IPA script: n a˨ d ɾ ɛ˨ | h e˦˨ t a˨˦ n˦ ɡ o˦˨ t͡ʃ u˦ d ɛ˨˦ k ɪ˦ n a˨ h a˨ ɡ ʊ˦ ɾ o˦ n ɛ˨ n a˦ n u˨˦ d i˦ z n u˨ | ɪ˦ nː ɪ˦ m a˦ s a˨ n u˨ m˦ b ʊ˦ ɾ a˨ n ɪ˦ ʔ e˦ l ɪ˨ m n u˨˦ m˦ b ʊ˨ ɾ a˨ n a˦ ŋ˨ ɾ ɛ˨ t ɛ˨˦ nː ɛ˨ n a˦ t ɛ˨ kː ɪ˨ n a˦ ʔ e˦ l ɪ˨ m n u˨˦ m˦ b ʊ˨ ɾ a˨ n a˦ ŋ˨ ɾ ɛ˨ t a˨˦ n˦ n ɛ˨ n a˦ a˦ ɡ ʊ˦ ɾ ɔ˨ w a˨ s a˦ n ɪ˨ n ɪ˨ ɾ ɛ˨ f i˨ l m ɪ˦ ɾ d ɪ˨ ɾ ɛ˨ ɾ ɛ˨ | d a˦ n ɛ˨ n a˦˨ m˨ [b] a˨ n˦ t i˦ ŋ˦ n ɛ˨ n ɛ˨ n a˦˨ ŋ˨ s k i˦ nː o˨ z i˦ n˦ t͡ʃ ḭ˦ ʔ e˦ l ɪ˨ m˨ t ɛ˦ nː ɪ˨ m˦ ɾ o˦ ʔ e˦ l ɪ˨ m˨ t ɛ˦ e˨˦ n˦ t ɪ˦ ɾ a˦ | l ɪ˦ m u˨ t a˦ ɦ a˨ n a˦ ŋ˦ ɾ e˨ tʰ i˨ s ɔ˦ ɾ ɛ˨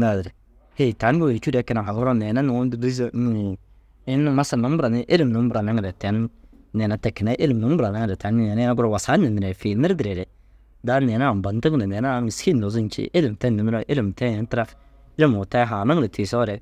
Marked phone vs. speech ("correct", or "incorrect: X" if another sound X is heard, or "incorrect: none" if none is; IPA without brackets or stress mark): correct